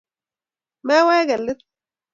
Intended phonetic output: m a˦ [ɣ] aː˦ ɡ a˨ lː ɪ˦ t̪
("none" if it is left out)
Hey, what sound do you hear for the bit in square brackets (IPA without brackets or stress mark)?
w